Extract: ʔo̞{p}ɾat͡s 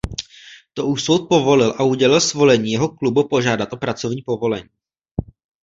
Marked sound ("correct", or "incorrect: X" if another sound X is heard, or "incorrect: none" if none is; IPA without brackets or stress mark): correct